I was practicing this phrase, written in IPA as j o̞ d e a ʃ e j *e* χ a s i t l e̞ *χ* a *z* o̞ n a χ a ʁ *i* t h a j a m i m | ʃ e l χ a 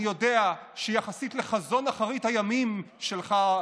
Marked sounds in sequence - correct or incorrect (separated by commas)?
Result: incorrect, correct, correct, correct